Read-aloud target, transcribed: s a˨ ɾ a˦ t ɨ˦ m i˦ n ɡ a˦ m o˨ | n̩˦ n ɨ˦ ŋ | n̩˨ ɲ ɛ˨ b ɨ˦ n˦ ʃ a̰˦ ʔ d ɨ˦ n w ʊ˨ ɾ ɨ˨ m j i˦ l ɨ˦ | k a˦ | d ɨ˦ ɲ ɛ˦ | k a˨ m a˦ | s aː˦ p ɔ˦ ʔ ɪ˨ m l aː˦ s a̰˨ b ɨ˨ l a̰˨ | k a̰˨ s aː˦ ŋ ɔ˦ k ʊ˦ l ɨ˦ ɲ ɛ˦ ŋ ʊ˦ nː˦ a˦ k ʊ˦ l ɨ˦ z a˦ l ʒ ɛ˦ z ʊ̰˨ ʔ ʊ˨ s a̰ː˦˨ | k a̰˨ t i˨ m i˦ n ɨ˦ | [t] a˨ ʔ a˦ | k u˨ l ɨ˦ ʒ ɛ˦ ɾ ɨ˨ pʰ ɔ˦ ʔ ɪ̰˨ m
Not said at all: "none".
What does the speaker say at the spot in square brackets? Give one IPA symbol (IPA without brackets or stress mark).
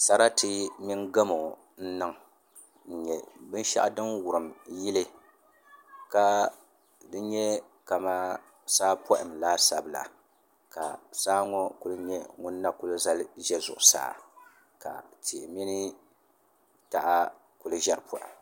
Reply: t